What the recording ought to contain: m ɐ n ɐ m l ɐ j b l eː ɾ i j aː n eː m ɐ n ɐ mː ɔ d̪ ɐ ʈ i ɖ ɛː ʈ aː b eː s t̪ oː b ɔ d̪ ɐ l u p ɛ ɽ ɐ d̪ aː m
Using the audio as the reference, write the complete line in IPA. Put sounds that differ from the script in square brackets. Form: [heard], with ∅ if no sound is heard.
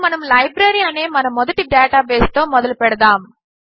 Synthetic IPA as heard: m ɐ n ɐ m l ɐ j b [ɾ] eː ɾ i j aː n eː m ɐ n ɐ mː ɔ d̪ ɐ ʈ i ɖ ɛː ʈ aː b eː s t̪ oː [m] ɔ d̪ ɐ l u p ɛ ɽ ɐ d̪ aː m